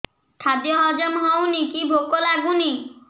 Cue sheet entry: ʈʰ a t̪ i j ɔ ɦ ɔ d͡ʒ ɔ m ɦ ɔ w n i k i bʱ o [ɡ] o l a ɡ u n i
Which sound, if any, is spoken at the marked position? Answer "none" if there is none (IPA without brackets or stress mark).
k